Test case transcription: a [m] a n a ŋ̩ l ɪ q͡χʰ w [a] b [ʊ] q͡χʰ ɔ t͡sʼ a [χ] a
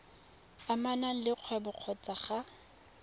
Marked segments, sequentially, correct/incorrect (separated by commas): correct, incorrect, correct, correct